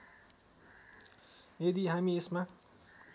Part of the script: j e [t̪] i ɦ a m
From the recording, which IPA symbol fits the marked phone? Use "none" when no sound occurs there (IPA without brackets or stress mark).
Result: d̪